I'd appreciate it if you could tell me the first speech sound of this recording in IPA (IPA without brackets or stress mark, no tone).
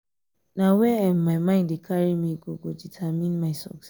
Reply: n